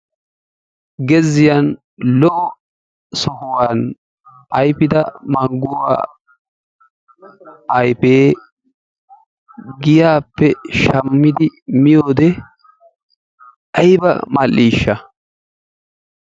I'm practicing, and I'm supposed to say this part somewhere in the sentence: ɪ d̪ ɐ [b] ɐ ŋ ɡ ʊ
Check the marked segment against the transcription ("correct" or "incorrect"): incorrect